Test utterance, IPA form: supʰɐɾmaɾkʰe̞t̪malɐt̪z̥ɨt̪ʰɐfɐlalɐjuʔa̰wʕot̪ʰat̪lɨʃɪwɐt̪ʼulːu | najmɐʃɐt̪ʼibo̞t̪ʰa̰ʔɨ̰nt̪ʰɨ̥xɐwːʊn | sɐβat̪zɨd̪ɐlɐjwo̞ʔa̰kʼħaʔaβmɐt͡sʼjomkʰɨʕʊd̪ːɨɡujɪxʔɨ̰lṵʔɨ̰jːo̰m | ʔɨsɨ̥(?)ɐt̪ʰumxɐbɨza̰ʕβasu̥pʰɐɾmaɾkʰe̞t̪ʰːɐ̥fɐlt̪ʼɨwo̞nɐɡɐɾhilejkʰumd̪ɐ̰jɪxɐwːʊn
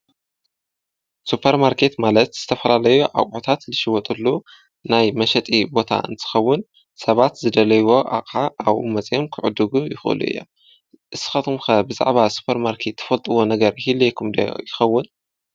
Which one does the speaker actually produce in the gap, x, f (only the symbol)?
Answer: x